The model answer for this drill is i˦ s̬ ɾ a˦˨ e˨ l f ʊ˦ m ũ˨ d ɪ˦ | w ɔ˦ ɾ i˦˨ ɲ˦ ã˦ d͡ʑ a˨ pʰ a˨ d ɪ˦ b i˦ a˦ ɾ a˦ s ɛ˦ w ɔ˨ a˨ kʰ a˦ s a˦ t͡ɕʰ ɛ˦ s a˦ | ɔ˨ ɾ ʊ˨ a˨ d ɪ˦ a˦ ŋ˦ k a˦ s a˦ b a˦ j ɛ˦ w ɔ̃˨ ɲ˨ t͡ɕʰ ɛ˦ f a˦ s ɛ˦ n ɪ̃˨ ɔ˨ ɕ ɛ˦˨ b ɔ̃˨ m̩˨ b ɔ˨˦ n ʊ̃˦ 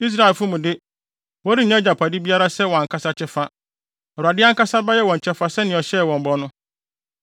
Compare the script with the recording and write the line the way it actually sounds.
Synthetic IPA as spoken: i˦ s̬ ɾ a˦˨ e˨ l f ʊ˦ m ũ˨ d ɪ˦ | w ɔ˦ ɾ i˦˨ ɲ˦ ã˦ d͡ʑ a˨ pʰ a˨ d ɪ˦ b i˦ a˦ ɾ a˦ s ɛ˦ w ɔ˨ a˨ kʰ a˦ s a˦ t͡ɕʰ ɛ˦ f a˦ | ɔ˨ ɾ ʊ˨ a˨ d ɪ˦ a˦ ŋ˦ k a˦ s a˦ b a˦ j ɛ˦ w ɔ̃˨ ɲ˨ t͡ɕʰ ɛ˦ f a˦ s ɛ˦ n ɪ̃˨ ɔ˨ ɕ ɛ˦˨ w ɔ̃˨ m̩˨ b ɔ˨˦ n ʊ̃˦